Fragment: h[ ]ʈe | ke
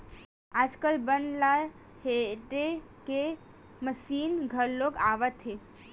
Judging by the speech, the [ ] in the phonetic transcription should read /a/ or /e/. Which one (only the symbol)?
e